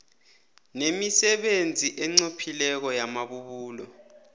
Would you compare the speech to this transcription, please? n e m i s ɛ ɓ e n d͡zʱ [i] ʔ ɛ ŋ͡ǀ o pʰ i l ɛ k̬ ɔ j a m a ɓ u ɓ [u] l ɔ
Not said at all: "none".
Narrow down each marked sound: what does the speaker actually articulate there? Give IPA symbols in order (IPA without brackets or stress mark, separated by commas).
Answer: i, uː